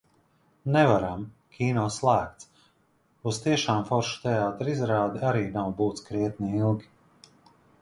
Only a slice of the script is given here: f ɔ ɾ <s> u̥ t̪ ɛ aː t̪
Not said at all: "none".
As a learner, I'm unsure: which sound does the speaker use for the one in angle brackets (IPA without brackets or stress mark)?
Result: ʃ